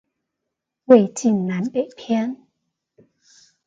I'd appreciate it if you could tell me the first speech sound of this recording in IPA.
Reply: w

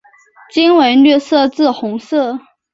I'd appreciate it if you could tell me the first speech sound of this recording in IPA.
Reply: t͡ɕ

